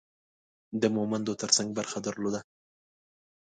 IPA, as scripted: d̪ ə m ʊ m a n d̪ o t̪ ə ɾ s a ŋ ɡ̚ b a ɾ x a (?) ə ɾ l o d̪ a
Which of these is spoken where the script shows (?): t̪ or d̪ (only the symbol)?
d̪